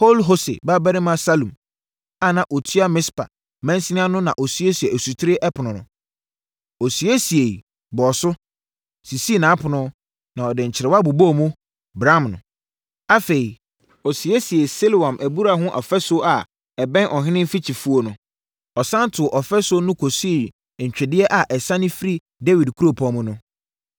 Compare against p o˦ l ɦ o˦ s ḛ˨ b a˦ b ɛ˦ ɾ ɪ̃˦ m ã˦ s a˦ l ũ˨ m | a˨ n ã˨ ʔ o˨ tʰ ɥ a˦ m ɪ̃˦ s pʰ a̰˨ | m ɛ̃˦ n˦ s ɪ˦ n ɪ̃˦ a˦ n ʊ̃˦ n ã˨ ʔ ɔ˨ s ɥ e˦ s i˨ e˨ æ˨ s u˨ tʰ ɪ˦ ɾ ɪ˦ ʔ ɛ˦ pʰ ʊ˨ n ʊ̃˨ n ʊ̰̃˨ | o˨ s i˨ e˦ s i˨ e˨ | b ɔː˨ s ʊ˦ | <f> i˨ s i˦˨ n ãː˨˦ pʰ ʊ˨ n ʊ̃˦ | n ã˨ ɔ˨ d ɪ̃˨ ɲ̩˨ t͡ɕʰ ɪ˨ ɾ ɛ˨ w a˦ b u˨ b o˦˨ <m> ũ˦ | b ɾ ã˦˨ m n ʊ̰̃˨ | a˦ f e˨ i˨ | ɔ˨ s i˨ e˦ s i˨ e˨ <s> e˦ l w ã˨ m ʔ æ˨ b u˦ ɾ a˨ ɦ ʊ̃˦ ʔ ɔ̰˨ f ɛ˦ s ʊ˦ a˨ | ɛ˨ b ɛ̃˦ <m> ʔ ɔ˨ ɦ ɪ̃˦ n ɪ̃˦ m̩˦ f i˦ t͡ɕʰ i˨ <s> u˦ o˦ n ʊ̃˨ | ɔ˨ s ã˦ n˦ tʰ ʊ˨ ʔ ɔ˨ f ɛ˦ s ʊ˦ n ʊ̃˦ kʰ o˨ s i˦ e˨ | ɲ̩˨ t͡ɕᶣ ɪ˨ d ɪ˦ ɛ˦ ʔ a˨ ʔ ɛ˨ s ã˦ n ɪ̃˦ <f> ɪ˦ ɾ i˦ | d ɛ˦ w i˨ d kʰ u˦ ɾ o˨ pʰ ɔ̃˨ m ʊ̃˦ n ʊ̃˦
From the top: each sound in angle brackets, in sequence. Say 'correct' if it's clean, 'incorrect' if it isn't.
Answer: incorrect: s, correct, correct, incorrect: n, incorrect: f, correct

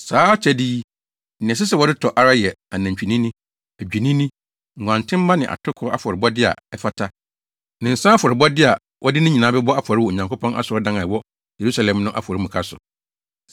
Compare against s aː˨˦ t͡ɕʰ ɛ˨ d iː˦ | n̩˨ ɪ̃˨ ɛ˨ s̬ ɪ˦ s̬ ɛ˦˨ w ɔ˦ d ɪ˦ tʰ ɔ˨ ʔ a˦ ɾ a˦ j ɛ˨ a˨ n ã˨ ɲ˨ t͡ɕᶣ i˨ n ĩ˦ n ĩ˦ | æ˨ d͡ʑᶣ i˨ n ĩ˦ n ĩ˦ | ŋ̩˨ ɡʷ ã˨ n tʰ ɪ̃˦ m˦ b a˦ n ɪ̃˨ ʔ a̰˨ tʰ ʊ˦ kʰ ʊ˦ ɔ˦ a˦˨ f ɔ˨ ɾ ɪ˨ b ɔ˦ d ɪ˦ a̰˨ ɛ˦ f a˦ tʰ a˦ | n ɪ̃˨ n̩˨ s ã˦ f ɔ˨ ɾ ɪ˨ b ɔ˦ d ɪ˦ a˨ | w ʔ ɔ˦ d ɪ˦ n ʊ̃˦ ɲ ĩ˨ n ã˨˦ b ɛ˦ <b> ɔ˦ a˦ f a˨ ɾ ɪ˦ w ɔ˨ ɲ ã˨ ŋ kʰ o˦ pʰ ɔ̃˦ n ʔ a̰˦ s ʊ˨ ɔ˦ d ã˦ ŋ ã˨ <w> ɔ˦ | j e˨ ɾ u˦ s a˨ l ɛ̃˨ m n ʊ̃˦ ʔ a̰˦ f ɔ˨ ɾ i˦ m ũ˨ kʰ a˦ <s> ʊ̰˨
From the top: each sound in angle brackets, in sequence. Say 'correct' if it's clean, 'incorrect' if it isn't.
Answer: correct, correct, correct

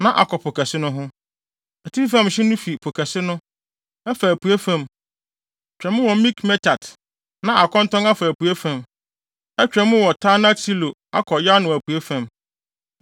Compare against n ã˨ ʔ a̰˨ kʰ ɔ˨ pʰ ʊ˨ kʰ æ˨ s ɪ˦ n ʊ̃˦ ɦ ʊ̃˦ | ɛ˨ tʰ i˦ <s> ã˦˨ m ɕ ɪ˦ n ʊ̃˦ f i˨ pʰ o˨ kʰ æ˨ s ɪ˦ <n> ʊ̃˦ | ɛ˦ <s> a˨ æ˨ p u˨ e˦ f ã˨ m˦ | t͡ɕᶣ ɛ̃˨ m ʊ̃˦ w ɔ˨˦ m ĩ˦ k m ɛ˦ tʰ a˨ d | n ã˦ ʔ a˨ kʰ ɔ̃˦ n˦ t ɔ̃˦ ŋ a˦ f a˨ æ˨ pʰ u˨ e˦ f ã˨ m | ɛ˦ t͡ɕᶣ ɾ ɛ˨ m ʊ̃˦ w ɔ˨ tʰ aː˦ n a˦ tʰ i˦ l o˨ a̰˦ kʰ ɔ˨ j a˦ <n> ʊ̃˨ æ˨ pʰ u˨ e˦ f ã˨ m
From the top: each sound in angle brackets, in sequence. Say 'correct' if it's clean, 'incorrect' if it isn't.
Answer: incorrect: f, correct, incorrect: f, correct

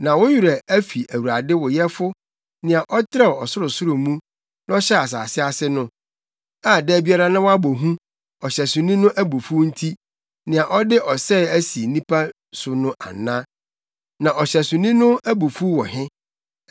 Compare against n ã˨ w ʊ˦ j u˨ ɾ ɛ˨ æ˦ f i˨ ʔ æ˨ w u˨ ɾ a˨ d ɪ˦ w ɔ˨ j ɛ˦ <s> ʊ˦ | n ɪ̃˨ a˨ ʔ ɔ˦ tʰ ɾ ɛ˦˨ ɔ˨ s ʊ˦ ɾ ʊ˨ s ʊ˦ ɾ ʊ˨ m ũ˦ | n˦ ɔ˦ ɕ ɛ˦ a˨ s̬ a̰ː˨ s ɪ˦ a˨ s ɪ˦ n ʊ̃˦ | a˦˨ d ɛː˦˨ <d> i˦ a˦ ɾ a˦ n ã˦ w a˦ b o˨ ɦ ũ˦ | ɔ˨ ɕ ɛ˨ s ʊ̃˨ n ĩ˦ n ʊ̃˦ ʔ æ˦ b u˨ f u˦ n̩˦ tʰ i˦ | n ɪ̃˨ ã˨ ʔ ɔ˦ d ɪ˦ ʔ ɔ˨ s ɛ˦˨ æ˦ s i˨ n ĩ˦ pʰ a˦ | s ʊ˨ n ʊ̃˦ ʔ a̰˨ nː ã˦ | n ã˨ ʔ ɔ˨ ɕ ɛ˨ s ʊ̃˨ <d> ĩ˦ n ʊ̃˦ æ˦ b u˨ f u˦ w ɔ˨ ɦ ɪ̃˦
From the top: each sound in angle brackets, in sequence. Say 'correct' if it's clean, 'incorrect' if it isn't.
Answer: incorrect: f, incorrect: b, incorrect: n

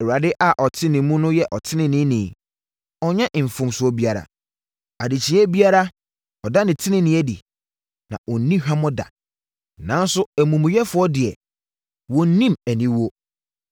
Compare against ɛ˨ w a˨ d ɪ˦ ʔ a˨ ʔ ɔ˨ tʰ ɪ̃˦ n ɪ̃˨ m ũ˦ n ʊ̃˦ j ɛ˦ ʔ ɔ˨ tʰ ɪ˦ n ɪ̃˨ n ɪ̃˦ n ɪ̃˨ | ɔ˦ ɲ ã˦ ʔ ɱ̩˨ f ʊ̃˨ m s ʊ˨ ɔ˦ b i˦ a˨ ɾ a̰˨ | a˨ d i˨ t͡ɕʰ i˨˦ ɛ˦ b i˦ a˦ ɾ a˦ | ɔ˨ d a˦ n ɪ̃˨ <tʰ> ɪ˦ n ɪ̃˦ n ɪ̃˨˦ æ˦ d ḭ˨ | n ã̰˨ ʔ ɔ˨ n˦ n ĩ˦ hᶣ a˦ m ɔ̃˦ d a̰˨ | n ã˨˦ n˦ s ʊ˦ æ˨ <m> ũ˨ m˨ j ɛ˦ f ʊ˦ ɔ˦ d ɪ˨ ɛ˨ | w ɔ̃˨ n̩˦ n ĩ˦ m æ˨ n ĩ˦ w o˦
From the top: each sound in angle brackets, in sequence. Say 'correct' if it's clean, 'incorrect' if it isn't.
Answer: correct, correct

